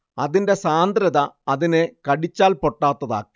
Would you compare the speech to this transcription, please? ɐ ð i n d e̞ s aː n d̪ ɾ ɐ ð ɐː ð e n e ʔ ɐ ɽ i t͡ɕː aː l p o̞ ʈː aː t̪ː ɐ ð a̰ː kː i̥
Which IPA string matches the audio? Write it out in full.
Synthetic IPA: ɐ ð i n d e̞ s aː n d̪ ɾ ɐ ð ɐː ð i n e k ɐ ɽ i t͡ɕː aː l p o̞ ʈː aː t̪ː ɐ ð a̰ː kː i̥